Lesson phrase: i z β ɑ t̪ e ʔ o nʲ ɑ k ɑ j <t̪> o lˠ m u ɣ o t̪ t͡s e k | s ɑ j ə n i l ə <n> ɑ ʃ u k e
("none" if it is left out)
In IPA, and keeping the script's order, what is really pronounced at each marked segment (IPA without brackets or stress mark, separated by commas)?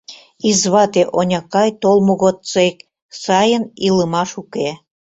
t̪, m